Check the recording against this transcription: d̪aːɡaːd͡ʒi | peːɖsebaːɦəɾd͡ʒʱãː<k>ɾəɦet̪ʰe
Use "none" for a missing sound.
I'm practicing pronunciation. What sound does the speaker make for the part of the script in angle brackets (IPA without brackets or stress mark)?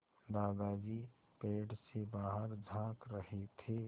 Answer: k